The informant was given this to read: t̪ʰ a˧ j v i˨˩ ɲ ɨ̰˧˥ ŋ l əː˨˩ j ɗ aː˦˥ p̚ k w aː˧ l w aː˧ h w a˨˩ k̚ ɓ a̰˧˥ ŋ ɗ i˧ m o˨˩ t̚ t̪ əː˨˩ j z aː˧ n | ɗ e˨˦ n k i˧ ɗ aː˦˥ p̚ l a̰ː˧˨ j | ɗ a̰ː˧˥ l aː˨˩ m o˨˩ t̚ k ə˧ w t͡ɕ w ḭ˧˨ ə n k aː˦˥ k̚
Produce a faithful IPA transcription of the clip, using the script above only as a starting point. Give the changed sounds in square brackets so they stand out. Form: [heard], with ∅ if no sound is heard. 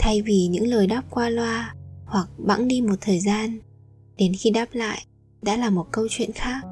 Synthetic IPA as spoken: t̪ʰ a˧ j v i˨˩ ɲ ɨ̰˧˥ ŋ l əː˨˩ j ɗ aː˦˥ p̚ k w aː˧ l w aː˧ h w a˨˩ k̚ ɓ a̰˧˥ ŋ ɗ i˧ m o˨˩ t̚ [t̪ʰ] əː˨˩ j z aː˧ n | ɗ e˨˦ n [x] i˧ ɗ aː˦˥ p̚ l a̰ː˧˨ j | ɗ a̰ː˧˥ l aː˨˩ m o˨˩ t̚ k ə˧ w t͡ɕ w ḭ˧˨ ə n [x] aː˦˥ k̚